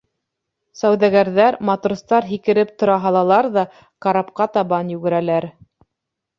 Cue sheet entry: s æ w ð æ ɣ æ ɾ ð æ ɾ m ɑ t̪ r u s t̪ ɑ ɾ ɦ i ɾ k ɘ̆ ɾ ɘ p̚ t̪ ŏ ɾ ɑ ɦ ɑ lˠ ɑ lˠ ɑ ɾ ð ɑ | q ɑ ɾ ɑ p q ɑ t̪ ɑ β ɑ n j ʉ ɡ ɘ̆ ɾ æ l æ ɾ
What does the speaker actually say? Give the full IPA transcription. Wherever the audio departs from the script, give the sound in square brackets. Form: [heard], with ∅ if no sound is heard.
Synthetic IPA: s æ w ð æ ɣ æ ɾ ð æ ɾ m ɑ t̪ r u s t̪ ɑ ɾ ɦ i [∅] k ɘ̆ ɾ ɘ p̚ t̪ ŏ ɾ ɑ ɦ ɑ lˠ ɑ lˠ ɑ ɾ ð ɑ | q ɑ ɾ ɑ p q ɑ t̪ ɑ β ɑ n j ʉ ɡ ɘ̆ ɾ æ l æ ɾ